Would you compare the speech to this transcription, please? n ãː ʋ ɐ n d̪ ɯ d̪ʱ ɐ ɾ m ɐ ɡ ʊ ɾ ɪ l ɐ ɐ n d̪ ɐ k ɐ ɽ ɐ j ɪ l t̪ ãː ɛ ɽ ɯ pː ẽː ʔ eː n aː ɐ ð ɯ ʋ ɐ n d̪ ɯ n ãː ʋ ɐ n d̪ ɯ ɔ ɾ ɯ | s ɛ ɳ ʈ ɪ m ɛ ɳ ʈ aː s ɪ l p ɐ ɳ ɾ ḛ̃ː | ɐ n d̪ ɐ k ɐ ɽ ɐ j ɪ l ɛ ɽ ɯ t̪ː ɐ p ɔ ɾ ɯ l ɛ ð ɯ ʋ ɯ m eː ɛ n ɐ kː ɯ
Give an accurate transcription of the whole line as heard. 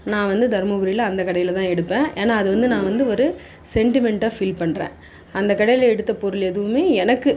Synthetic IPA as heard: n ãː ʋ ɐ n d̪ ɯ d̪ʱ ɐ ɾ m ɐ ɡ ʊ ɾ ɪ l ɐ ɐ n d̪ ɐ k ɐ ɽ ɐ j ɪ l t̪ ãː ɛ ɽ ɯ pː ẽː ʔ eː n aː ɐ ð ɯ ʋ ɐ n d̪ ɯ n ãː ʋ ɐ n d̪ ɯ ɔ ɾ ɯ | s ɛ ɳ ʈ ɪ m ɛ ɳ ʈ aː f ɪ l p ɐ ɳ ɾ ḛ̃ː | ɐ n d̪ ɐ k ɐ ɽ ɐ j ɪ l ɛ ɽ ɯ t̪ː ɐ p ɔ ɾ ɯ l ɛ ð ɯ ʋ ɯ m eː ɛ n ɐ kː ɯ